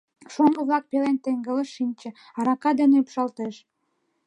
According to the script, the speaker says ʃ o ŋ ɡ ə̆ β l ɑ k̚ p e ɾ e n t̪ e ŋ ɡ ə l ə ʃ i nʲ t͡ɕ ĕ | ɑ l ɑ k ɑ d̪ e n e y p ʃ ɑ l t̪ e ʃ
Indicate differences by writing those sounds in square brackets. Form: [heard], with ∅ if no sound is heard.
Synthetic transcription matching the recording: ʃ o ŋ ɡ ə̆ β l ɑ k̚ p e [l] e n t̪ e ŋ ɡ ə l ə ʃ i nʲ t͡ɕ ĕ | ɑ [ɾ] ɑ k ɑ d̪ e n e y p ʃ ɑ l t̪ e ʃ

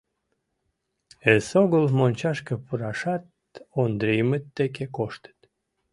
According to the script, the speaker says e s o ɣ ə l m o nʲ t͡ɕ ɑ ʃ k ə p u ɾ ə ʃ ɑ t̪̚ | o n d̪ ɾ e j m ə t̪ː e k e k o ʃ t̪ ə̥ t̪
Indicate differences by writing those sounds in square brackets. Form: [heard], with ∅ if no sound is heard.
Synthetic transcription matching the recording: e s o ɣ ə l m o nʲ t͡ɕ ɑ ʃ k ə p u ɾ [ɑ] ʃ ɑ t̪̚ | o n d̪ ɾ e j m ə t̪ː e k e k o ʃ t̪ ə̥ t̪

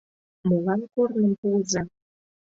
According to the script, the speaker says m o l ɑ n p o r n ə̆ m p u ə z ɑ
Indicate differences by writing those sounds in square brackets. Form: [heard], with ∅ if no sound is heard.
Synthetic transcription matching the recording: m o l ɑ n [k] o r n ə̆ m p u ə z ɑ

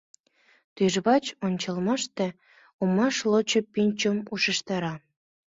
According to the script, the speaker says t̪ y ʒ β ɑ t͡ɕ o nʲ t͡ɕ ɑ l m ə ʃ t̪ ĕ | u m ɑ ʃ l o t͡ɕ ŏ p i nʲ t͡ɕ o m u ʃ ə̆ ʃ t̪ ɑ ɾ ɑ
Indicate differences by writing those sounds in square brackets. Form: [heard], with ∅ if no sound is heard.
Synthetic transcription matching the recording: t̪ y ʒ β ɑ t͡ɕ o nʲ t͡ɕ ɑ l m [ɑ] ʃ t̪ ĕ | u m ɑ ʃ l o t͡ɕ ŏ p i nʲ t͡ɕ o m u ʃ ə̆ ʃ t̪ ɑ ɾ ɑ

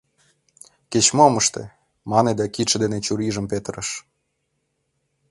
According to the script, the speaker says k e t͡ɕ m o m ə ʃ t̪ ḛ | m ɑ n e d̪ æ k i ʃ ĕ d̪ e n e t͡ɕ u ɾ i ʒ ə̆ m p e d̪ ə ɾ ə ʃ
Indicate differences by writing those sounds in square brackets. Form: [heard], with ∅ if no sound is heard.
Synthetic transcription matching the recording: k e t͡ɕ m o m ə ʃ t̪ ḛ | m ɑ n e d̪ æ k i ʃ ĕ d̪ e n e t͡ɕ u ɾ i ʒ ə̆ m p e [t̪] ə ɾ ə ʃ

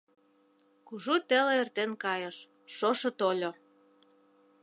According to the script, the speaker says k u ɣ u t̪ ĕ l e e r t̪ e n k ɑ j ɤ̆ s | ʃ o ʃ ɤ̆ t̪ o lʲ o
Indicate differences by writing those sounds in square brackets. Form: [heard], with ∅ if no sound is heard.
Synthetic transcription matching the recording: k u [ʒ] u t̪ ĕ l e e r t̪ e n k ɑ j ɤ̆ [ʃ] | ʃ o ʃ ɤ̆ t̪ o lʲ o

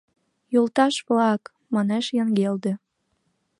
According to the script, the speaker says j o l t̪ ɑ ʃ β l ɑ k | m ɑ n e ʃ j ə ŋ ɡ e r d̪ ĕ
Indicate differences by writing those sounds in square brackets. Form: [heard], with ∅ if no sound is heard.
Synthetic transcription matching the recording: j o l t̪ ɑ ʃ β l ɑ k | m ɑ n e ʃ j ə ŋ ɡ e [l] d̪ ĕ

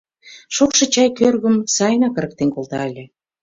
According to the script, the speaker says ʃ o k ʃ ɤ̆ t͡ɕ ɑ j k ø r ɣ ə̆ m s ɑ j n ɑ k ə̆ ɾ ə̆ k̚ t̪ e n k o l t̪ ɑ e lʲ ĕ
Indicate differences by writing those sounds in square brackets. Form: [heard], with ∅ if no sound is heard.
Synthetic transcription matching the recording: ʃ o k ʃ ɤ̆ t͡ɕ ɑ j k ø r ɣ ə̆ m s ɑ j n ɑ k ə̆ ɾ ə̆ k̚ t̪ e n k o l t̪ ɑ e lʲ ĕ

